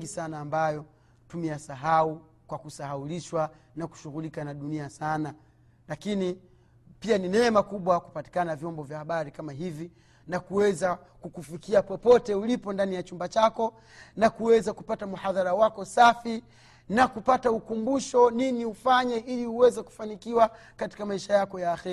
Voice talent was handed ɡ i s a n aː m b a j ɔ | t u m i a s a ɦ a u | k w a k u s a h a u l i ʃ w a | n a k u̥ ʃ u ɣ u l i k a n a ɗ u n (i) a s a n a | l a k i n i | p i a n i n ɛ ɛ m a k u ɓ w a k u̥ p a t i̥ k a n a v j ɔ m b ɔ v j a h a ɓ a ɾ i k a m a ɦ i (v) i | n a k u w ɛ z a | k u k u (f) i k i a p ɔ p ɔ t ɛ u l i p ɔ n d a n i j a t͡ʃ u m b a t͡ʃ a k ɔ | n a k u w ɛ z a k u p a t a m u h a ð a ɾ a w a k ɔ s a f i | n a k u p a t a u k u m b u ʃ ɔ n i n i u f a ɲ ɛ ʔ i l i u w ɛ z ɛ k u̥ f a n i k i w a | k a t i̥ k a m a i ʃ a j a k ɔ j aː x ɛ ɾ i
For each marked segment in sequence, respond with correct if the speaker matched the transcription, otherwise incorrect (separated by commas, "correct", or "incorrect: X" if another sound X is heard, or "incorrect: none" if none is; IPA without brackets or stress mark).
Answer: correct, correct, correct